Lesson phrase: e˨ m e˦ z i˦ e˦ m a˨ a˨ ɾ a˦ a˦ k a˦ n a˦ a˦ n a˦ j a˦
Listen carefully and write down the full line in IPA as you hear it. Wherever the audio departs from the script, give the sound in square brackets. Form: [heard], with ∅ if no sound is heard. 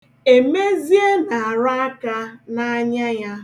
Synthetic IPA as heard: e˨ m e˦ z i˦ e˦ [n] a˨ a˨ ɾ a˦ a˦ k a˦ n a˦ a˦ [ɲ] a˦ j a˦